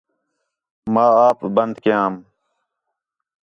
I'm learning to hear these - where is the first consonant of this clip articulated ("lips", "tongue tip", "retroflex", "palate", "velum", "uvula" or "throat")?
lips